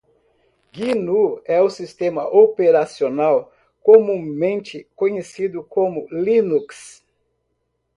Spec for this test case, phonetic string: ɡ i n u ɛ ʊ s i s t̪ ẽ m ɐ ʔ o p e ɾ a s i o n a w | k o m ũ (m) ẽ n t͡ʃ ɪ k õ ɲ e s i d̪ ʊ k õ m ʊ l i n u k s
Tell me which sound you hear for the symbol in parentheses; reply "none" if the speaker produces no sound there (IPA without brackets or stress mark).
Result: m